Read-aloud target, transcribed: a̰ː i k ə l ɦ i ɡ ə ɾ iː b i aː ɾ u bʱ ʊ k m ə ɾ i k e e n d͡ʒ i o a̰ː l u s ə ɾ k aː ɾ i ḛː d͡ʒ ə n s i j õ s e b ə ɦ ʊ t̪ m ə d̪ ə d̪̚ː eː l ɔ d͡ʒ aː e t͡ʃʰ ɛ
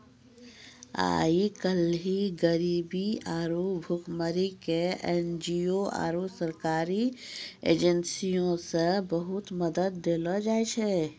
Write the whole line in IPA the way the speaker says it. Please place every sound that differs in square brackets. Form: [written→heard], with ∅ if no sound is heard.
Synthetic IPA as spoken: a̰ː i k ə l ɦ i ɡ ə ɾ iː b i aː ɾ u bʱ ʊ k m ə ɾ i k e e n d͡ʒ i o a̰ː [l→ɾ] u s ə ɾ k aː ɾ i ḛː d͡ʒ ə n s i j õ s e b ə ɦ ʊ t̪ m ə d̪ ə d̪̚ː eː l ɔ d͡ʒ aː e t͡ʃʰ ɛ